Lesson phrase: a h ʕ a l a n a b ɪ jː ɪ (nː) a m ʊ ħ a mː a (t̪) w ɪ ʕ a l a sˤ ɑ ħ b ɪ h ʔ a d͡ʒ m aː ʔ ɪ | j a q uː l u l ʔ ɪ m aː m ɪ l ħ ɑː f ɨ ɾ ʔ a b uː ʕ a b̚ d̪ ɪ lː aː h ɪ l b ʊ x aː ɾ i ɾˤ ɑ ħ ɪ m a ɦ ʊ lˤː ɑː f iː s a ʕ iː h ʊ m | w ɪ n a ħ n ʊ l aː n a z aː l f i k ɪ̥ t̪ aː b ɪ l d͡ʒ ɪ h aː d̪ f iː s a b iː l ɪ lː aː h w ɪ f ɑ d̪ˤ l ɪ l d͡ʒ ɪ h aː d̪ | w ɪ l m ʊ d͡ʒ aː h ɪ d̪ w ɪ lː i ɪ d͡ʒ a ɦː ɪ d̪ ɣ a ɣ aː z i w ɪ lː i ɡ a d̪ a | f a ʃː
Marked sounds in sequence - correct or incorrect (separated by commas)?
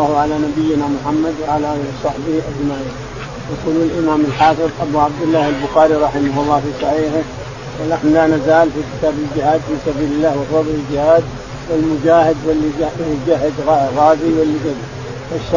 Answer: incorrect, incorrect